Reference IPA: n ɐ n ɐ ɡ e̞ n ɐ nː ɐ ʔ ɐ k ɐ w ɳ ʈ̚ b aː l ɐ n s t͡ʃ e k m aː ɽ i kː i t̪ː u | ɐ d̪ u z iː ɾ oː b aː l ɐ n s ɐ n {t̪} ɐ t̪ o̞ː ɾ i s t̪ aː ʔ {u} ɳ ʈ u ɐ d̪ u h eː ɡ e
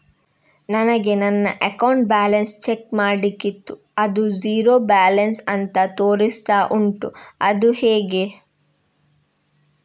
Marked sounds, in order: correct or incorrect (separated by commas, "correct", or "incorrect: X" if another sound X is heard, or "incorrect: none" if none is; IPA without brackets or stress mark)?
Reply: correct, correct